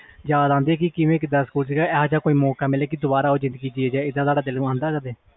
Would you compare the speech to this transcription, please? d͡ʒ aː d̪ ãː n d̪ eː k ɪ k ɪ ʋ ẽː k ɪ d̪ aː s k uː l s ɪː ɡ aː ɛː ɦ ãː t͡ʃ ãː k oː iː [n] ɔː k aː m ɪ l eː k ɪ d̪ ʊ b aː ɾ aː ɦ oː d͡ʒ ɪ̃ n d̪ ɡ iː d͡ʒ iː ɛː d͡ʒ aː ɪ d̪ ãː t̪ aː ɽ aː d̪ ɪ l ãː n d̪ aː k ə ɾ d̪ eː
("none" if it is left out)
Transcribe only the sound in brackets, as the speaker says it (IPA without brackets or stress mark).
m